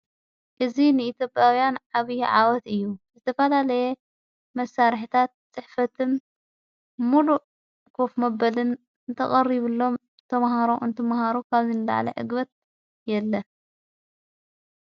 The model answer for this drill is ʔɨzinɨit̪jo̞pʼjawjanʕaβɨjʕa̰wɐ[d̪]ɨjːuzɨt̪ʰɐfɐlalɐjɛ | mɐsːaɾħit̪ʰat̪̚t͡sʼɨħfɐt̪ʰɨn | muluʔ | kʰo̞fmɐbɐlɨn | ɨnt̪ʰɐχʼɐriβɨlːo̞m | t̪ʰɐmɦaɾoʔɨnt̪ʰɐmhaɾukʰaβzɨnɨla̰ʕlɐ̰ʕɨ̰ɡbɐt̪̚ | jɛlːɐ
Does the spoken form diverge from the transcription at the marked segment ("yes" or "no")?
yes